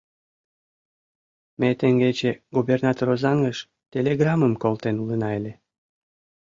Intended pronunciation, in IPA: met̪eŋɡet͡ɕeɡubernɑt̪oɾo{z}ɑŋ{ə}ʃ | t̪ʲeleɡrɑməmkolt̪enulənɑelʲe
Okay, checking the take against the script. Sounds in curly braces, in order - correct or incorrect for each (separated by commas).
correct, correct